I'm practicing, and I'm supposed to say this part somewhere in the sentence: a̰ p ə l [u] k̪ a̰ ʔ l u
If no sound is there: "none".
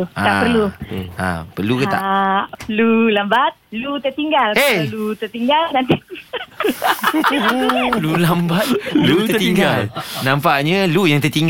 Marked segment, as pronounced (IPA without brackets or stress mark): u